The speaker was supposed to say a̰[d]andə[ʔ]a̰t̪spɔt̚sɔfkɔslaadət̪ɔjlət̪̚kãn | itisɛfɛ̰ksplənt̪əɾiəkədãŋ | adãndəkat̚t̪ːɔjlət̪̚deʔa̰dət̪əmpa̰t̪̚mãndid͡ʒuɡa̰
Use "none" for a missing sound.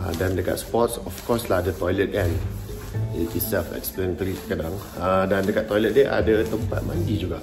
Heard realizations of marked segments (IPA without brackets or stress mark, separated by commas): d, k